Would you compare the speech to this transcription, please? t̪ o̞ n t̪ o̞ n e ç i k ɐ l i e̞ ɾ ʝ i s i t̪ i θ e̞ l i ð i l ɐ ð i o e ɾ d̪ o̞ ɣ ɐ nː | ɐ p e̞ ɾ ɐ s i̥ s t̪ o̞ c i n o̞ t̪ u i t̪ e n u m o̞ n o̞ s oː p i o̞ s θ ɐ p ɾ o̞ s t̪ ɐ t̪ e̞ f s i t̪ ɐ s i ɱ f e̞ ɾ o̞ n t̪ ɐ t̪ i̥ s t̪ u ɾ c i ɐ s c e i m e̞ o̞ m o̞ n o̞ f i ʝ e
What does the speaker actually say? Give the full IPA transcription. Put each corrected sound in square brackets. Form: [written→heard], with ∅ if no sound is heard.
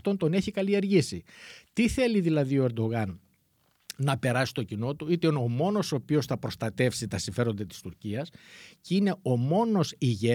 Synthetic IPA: t̪ o̞ n t̪ o̞ n e ç i k ɐ l i e̞ ɾ ʝ i s i t̪ i θ e̞ l i ð i l ɐ ð i o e ɾ d̪ o̞ ɣ ɐ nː | ɐ p e̞ ɾ ɐ s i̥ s t̪ o̞ c i n o̞ t̪ u i t̪ e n [u→o] m o̞ n o̞ s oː p i o̞ s θ ɐ p ɾ o̞ s t̪ ɐ t̪ e̞ f s i t̪ ɐ s i ɱ f e̞ ɾ o̞ n [t̪→d̪] ɐ t̪ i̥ s t̪ u ɾ c i ɐ s c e i [m→n] e̞ o̞ m o̞ n o̞ [f→s] i ʝ e